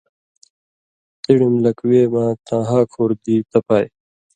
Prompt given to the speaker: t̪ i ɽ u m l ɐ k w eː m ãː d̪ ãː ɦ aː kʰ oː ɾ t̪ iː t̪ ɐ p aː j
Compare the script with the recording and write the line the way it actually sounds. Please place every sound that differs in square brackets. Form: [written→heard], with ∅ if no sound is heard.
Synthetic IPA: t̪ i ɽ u m l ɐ k w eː m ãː [d̪→t̪] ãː ɦ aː kʰ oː ɾ [t̪→d̪] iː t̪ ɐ p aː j